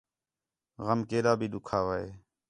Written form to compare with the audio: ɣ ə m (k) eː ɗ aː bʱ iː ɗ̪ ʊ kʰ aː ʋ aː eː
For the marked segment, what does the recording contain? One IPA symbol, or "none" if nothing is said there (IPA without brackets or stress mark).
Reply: k